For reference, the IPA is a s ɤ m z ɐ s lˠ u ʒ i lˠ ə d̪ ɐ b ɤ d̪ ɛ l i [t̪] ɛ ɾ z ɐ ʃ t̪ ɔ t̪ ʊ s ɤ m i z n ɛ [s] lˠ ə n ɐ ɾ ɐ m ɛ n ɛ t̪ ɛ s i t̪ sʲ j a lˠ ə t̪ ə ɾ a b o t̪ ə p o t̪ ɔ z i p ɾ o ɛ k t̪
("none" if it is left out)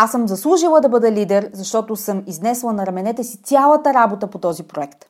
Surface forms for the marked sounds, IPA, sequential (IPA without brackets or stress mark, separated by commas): d̪, s